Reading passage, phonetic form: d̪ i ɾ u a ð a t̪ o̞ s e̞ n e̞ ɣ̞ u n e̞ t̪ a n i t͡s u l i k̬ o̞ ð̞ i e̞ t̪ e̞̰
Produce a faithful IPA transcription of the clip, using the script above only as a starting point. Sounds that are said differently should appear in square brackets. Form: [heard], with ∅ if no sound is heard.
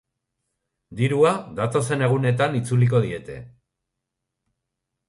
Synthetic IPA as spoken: d̪ i ɾ u a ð a t̪ o̞ s e̞ n e̞ ɣ̞ u n e̞ t̪ a n i t͡s u l i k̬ o̞ ð̞ i e̞ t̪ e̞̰